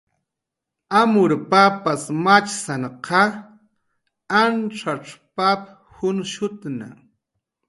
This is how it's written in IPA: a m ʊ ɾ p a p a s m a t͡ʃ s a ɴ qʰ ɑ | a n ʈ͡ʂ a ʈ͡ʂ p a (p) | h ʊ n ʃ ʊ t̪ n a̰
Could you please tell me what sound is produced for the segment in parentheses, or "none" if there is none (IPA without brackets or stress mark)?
p